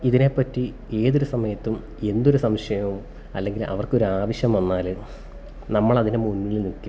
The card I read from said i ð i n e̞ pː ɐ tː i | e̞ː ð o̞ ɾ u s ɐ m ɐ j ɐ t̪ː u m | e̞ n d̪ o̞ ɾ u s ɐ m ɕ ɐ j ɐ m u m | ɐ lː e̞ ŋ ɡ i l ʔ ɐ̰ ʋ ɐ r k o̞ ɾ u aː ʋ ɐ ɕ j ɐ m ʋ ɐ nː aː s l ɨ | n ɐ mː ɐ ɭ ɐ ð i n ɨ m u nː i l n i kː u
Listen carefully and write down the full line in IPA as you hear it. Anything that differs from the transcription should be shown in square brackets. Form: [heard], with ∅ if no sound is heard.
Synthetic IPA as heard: i ð i n e̞ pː ɐ tː i | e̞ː ð o̞ ɾ u s ɐ m ɐ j ɐ t̪ː u m | e̞ n d̪ o̞ ɾ u s ɐ m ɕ ɐ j ɐ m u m | ɐ lː e̞ ŋ ɡ i l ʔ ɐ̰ ʋ ɐ r k o̞ ɾ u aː ʋ ɐ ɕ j ɐ m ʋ ɐ nː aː [∅] l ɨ | n ɐ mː ɐ ɭ ɐ ð i n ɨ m u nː i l n i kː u